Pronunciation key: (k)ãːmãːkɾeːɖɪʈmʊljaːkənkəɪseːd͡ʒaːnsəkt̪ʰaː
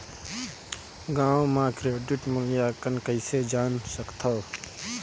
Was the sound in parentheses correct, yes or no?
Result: no